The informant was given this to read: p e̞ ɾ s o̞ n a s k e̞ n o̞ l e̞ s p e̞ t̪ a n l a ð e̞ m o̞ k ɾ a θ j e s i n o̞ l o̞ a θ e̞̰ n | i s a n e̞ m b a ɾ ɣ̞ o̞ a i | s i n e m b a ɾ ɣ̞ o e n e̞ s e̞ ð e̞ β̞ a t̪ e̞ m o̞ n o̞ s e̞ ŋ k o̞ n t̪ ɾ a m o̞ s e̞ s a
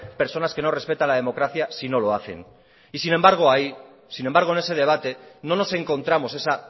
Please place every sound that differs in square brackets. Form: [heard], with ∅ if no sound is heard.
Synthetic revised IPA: p e̞ ɾ s o̞ n a s k e̞ n o̞ [r] e̞ s p e̞ t̪ a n l a ð e̞ m o̞ k ɾ a θ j [a] s i n o̞ l o̞ a θ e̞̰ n | i s [i] n e̞ m b a ɾ ɣ̞ o̞ a i | s i n e m b a ɾ ɣ̞ o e n e̞ s e̞ ð e̞ β̞ a t̪ e̞ [n] o̞ n o̞ s e̞ ŋ k o̞ n t̪ ɾ a m o̞ s e̞ s a